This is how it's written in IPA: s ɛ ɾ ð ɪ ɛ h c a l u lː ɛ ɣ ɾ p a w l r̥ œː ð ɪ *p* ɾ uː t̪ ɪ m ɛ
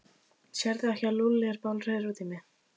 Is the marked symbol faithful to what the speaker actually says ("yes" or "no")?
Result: no